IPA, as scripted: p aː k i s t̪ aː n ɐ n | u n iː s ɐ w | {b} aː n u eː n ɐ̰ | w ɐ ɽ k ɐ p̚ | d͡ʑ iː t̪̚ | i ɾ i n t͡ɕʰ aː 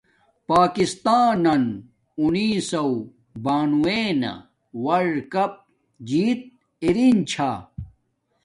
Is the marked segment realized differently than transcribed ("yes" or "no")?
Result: no